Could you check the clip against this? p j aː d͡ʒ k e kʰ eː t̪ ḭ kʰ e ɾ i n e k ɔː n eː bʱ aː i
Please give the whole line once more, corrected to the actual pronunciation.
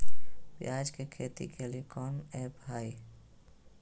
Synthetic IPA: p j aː d͡ʒ k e kʰ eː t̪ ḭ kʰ e l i e k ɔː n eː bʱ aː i